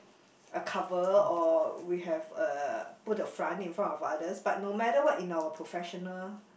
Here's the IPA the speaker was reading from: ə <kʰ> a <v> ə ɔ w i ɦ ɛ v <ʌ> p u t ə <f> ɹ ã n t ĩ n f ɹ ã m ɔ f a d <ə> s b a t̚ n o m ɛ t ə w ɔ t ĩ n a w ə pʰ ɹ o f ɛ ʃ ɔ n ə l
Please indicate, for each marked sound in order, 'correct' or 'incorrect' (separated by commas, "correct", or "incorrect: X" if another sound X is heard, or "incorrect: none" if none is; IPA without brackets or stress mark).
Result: correct, correct, incorrect: ə, correct, correct